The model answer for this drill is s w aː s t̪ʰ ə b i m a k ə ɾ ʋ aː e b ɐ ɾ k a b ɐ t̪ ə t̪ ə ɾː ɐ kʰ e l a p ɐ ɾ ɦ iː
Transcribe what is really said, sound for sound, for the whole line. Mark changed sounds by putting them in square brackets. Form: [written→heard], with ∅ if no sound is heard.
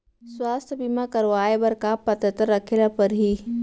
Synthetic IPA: s w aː s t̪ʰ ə b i m a k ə ɾ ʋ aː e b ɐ ɾ k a [b→p] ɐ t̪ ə t̪ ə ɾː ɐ kʰ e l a p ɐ ɾ ɦ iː